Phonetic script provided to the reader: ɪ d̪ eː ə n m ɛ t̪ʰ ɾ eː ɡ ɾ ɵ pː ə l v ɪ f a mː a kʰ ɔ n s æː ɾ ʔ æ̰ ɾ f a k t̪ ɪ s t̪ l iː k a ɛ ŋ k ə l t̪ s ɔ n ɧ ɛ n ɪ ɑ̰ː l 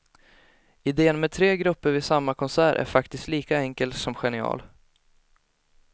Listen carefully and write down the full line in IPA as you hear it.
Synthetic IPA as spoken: ɪ d̪ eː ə n m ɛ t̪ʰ ɾ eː ɡ ɾ ɵ pː ə ɾ v ɪ s a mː a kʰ ɔ n s æː ɾ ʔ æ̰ ɾ f a k t̪ ɪ s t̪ l iː k a ɛ ŋ k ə l t̪ s ɔ m ɧ ɛ n ɪ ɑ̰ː l

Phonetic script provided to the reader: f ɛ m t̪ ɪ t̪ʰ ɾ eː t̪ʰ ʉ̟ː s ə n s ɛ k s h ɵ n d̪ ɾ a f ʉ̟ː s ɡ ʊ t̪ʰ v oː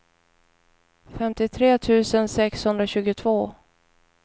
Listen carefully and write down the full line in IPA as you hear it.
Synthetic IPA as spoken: f ɛ m t̪ ɪ t̪ʰ ɾ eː t̪ʰ ʉ̟ː s ə n s ɛ k s h ɵ n d̪ ɾ a ɕ ʉ̟ː ɡ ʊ t̪ʰ v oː

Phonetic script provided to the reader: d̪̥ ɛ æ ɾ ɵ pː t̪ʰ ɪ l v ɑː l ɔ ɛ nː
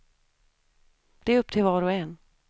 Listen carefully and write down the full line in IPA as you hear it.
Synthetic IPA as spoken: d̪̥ ɛ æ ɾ ɵ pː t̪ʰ ɪ l v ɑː ɾ ɔ ɛ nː

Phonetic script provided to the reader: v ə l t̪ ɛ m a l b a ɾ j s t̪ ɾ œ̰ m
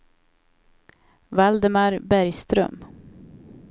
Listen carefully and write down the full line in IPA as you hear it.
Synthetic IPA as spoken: v a l d̪ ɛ m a ɾ b æ ɾ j s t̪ ɾ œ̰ m

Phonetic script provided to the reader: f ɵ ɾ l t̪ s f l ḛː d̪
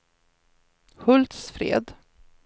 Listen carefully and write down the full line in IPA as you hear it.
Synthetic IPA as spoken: h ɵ l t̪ s f ɾ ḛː d̪

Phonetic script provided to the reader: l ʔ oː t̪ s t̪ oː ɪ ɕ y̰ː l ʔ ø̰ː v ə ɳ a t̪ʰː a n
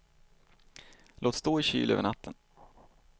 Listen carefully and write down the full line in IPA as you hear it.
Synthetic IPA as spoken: l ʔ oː t̪ s t̪ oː ɪ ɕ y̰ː l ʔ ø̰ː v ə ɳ a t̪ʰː ə n

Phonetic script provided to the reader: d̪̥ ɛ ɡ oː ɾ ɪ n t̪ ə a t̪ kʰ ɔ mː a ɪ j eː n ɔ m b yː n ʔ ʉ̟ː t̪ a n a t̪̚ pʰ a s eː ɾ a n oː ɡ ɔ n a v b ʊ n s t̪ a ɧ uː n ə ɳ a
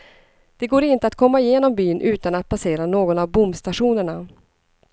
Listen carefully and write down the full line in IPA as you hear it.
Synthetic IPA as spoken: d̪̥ ɛ ɡ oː ɾ ɪ n t̪ ə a t̪ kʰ ɔ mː a ɪ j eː n ɔ m b yː n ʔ ʉ̟ː t̪ a n a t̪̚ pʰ a s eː ɾ a n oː ɡ ɔ n a v b ʊ m s t̪ a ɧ uː n ə ɳ a

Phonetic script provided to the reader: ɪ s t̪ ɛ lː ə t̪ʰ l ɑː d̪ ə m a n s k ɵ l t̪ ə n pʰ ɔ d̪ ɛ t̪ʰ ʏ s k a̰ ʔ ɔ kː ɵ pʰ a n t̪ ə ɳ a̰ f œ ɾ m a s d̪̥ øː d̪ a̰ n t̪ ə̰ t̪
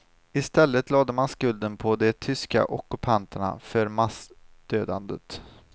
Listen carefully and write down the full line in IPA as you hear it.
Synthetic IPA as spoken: ɪ s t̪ ɛ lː ə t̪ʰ l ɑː d̪ ə m a n s k ɵ l d̪ ə n pʰ ɔ d̪ ɛ t̪ʰ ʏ s k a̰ ʔ ɔ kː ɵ pʰ a n t̪ ə ɳ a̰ f œ ɾ m a s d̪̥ øː d̪ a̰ n d̪ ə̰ t̪

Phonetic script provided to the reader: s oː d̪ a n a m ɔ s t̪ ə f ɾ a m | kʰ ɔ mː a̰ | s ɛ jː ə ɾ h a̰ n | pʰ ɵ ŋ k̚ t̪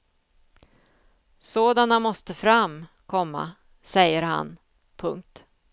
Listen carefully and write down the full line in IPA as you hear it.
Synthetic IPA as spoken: s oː d̪ a n a m ɔ s t̪ ə f ɾ a m | kʰ ɔ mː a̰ | s ɛ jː ə ɾ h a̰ n | pʰ ɵ ŋ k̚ t̪

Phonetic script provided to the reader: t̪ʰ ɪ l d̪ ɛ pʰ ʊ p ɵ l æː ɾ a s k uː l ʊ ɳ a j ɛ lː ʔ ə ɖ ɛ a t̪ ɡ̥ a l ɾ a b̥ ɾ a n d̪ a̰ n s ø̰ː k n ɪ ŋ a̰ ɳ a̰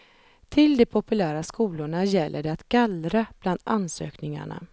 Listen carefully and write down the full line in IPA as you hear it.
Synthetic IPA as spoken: t̪ʰ ɪ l d̪ ɛ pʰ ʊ p ɵ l æː ɾ a s k uː l ʊ ɳ a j ɛ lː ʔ ə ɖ ɛ a t̪ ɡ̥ a l ɾ a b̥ l a n d̪ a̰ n s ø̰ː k n ɪ ŋ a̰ ɳ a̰

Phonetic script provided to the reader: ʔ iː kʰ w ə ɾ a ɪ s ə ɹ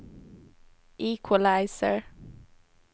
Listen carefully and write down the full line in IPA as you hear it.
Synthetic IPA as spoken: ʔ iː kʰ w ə l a ɪ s ə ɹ

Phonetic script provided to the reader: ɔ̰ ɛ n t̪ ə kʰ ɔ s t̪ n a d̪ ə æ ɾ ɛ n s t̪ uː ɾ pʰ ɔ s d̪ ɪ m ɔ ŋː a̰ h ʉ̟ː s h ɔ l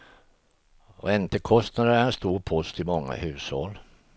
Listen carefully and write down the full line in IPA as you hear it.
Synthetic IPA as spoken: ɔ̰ ɛ n t̪ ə kʰ ɔ s t̪ n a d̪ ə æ ɾ ɛ n s t̪ uː ɾ pʰ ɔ s t̪ ɪ m ɔ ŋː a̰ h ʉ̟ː s h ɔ l

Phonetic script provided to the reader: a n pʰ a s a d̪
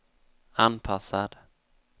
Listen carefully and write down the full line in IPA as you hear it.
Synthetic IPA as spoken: a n pʰ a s a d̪

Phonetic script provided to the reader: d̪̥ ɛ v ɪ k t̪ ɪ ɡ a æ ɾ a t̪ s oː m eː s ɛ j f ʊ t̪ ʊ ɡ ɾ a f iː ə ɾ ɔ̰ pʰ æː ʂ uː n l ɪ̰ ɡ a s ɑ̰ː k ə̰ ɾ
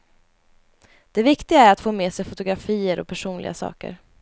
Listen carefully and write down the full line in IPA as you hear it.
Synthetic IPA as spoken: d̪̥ ɛ v ɪ k t̪ ɪ ɡ a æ ɾ a t̪ f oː m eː s ɛ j f ʊ t̪ ʊ ɡ ɾ a f iː ə ɾ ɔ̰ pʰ æ ʂ uː n l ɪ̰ ɡ a s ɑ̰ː k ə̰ ɾ

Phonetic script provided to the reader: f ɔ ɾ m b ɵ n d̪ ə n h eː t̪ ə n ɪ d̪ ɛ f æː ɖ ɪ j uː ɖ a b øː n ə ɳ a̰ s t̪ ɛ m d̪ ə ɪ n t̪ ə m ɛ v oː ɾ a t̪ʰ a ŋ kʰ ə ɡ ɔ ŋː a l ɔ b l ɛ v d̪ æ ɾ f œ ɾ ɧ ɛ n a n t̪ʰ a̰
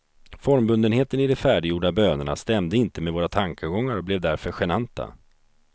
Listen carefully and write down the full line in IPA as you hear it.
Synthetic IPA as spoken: f ɔ ɾ m b ɵ n d̪ ə n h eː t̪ ə n ɪ d̪ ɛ f æː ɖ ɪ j uː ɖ a b øː n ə ɳ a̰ s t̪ ɛ m d̪ ə ɪ n t̪ ə m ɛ v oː ɾ a t̪ʰ a ŋ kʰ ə ɡ ɔ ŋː a ɾ ɔ b l ɛ v d̪ æ ɾ f œ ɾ ɧ ɛ n a n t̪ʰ a̰

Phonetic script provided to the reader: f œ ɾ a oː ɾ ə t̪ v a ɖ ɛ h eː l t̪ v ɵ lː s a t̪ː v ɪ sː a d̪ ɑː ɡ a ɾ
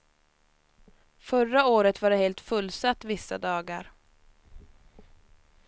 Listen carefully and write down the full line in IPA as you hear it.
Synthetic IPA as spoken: f œ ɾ a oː ɾ ə t̪ v a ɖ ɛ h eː l t̪ f ɵ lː s a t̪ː v ɪ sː a d̪ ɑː ɡ a ɾ

